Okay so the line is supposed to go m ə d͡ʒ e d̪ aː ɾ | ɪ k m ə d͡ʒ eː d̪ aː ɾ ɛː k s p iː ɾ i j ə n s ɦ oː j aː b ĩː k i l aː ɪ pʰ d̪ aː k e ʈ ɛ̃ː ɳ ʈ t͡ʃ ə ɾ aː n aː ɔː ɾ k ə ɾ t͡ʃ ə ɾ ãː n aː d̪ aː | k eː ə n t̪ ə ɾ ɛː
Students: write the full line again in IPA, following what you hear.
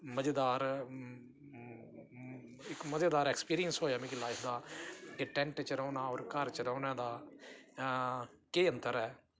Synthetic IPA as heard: m ə d͡ʒ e d̪ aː ɾ | ɪ k m ə d͡ʒ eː d̪ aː ɾ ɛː k s p iː ɾ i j ə n s ɦ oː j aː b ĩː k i l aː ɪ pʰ d̪ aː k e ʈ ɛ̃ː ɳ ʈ t͡ʃ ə ɾ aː n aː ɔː ɾ k ə ɾ t͡ʃ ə ɾ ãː n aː d̪ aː | k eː ə n t̪ ə ɾ ɛː